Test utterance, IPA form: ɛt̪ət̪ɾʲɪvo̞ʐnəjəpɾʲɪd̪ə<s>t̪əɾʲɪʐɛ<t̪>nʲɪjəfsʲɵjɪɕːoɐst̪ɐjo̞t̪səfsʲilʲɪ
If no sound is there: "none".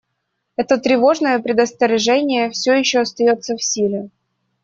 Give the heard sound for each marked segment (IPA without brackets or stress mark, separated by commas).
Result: s, none